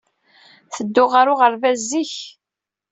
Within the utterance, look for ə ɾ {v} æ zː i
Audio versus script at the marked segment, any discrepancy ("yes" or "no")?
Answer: no